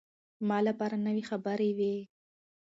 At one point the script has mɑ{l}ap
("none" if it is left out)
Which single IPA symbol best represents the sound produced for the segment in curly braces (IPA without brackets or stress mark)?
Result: l